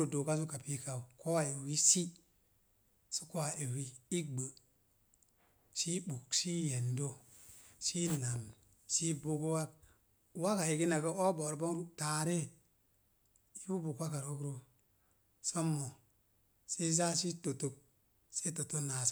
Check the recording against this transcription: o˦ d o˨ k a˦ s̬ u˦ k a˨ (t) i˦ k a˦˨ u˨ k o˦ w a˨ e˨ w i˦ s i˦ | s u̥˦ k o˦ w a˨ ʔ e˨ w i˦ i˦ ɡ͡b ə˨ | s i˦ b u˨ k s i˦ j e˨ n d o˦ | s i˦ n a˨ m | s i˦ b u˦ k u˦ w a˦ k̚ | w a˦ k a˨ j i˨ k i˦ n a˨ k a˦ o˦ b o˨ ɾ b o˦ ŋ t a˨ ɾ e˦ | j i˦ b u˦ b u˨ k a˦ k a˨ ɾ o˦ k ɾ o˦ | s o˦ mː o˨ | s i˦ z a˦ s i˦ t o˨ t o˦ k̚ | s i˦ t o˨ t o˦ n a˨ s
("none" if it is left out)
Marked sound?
p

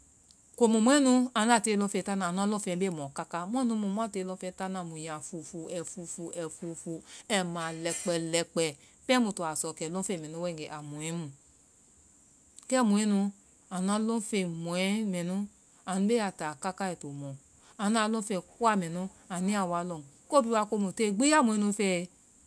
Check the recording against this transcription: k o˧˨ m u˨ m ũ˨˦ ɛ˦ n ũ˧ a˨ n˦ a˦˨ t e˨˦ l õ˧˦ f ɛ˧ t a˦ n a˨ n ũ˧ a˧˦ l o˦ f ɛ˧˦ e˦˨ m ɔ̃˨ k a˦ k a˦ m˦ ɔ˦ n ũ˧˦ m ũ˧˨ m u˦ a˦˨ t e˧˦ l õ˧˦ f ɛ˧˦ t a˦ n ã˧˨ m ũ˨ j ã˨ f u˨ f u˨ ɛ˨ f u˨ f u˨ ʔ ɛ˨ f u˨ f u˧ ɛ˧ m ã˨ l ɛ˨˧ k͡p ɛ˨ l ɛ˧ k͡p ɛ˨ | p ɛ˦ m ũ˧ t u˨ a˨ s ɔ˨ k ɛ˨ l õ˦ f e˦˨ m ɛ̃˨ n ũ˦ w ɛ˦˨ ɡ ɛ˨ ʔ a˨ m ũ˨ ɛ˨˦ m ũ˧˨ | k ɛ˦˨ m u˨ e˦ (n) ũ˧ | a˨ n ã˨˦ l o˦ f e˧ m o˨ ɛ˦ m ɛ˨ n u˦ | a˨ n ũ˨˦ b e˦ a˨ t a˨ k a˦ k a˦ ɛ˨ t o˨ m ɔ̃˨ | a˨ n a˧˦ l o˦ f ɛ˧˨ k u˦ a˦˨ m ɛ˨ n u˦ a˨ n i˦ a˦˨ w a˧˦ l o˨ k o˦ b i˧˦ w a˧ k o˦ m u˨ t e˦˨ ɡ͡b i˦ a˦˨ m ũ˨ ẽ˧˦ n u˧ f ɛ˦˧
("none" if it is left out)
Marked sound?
n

